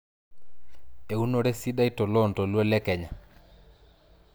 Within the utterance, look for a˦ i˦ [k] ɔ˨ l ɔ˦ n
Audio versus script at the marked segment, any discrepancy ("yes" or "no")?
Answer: yes